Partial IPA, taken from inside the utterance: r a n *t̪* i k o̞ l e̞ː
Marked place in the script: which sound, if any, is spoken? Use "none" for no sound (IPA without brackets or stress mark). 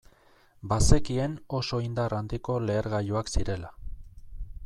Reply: d̪